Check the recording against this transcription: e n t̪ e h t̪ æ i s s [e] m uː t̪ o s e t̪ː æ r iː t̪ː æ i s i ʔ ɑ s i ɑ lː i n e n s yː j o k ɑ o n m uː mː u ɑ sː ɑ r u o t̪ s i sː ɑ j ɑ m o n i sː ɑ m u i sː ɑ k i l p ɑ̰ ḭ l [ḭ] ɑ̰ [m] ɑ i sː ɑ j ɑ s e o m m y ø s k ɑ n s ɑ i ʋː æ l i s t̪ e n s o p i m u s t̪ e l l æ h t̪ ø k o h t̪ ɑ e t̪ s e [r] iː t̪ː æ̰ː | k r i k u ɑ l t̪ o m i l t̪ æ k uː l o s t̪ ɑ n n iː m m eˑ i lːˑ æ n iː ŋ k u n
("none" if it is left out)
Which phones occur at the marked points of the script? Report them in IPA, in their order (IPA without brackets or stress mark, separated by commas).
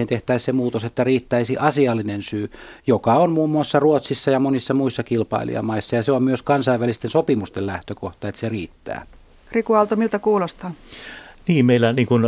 e, ḭ, m, r